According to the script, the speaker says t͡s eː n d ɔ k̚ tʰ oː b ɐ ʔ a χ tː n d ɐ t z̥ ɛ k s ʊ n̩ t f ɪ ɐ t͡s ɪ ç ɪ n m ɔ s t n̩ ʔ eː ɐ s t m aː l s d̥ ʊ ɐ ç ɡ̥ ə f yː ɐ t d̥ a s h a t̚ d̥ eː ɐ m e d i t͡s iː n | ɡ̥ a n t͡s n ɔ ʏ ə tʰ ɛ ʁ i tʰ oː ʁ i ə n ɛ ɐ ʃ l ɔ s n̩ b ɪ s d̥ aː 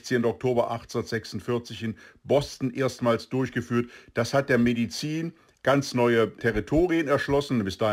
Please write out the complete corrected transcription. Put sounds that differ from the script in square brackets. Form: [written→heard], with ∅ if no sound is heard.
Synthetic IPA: t͡s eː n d ɔ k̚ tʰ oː b ɐ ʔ a χ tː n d ɐ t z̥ ɛ k s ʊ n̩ t f ɪ ɐ t͡s ɪ ç ɪ n [m→b] ɔ s t n̩ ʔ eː ɐ s t m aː l s d̥ ʊ ɐ ç ɡ̥ ə f yː ɐ t d̥ a s h a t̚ d̥ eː ɐ m e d i t͡s iː n | ɡ̥ a n t͡s n ɔ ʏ ə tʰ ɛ ʁ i tʰ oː ʁ i ə n ɛ ɐ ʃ l ɔ s n̩ b ɪ s d̥ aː